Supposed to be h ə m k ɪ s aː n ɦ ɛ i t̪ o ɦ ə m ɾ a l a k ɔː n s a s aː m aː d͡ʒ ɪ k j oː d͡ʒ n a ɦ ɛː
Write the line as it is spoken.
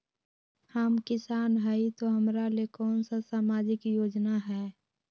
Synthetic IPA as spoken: h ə m k ɪ s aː n ɦ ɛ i t̪ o ɦ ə m ɾ a l e k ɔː n s a s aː m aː d͡ʒ ɪ k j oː d͡ʒ n a ɦ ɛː